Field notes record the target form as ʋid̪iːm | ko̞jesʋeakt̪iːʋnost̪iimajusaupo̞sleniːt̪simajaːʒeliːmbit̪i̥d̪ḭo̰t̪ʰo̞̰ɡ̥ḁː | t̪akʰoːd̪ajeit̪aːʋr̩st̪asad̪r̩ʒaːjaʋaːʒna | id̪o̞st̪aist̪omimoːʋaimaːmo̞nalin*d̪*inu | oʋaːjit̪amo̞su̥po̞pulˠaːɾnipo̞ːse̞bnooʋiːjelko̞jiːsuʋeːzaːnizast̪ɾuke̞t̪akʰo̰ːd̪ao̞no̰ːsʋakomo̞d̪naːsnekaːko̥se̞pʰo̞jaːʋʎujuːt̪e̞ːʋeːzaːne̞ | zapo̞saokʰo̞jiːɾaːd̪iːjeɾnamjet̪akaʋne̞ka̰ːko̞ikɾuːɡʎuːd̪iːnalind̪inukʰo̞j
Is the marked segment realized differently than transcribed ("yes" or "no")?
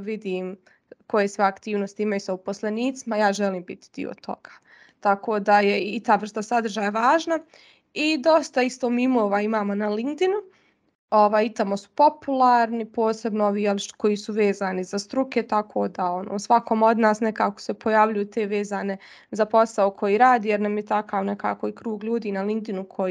no